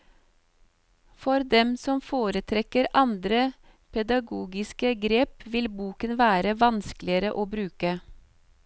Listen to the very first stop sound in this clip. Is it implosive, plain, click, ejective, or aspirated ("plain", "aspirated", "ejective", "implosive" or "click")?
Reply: plain